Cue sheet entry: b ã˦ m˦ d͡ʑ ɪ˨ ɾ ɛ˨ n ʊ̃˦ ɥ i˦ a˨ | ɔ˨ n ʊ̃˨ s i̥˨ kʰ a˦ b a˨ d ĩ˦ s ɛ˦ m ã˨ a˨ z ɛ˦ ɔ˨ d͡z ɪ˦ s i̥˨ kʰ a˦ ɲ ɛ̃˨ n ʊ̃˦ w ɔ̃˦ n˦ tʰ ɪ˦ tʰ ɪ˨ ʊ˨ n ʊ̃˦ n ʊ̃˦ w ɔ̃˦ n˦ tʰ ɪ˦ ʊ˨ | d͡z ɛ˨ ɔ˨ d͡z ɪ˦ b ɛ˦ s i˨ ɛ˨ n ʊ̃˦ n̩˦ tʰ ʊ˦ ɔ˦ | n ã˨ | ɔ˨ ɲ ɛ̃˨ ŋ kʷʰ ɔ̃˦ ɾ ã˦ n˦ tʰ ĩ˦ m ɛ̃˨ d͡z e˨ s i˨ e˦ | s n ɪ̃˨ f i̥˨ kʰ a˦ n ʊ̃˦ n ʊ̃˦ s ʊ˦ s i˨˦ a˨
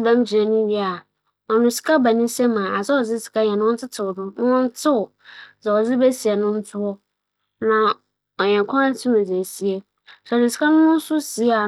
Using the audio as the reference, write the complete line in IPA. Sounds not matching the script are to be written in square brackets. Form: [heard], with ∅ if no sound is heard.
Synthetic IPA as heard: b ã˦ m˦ d͡ʑ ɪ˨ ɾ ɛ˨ n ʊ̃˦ ɥ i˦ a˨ | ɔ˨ n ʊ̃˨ s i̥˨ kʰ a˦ b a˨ [n] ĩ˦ s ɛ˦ m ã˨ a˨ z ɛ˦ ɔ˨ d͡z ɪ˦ s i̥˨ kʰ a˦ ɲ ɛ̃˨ n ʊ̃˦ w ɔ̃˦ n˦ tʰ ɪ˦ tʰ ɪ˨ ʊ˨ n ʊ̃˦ n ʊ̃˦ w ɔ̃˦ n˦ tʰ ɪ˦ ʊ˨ | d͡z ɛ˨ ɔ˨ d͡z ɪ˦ b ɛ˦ s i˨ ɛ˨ n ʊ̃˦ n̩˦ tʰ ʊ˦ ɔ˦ | n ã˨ | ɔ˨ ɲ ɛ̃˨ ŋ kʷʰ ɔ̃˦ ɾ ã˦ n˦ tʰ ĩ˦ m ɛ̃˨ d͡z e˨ s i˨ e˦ | s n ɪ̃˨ [s] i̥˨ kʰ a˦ n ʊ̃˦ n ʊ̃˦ s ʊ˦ s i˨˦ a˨